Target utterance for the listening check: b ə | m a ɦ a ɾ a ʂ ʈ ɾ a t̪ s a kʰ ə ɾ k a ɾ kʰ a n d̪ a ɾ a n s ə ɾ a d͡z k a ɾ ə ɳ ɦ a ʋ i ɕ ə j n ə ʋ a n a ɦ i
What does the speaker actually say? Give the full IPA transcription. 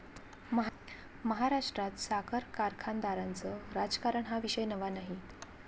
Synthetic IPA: m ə | m ə ɦ a ɾ a ʂ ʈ ɾ a t̪ s a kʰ ə ɾ k a ɾ kʰ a n d̪ a ɾ a n t͡s ə ɾ a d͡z k a ɾ ə ɳ ɦ a ʋ i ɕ ə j n ə ʋ a n a ɦ i